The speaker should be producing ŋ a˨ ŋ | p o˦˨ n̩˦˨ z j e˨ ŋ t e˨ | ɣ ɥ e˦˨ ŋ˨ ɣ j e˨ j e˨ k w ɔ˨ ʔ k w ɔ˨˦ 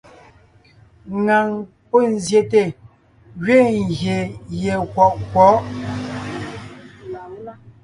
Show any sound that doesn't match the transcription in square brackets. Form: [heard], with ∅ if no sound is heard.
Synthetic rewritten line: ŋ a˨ ŋ | p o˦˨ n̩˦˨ z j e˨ [∅] t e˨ | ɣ ɥ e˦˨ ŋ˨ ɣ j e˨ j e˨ k w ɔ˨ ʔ k w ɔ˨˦